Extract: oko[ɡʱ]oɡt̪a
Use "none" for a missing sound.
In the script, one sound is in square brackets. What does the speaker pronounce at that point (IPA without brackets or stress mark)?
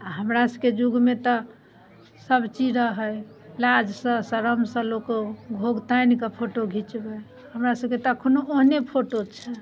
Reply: ɡʱ